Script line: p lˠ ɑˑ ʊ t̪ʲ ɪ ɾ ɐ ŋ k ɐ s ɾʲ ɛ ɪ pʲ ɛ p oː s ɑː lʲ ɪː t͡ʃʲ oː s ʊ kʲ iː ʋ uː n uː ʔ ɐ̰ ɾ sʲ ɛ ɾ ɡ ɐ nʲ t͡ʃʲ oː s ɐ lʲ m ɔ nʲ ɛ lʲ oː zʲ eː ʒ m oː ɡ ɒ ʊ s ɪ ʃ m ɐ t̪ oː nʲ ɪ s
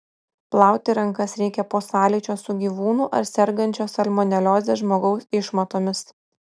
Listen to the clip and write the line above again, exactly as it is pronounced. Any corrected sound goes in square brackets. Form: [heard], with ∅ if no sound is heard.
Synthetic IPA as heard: p lˠ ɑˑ ʊ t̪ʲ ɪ ɾ ɐ ŋ k ɐ s ɾʲ ɛ ɪ [kʲ] ɛ p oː s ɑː lʲ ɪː t͡ʃʲ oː s ʊ [ɡʲ] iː ʋ uː n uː ʔ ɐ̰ ɾ sʲ ɛ ɾ ɡ ɐ nʲ t͡ʃʲ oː s ɐ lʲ m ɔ nʲ ɛ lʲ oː zʲ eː ʒ m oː ɡ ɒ ʊ s ɪ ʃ m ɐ t̪ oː [mʲ] ɪ s